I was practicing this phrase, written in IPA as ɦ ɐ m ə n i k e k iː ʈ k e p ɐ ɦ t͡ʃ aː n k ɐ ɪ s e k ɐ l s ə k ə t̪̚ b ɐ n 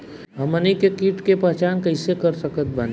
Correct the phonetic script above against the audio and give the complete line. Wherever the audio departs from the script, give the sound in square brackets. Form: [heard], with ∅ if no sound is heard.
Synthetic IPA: ɦ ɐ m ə n i k e k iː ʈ k e p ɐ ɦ t͡ʃ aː n k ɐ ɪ s e k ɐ [ɾ] s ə k ə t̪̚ b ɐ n